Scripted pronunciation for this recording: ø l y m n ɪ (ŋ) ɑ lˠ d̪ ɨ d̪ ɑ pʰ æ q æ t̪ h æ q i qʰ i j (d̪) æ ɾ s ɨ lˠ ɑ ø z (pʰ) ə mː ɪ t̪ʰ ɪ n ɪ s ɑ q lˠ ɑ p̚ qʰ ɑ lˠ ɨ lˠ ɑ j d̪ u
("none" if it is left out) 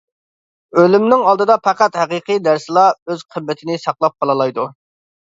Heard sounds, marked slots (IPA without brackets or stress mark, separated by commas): ŋ, d̪, qʰ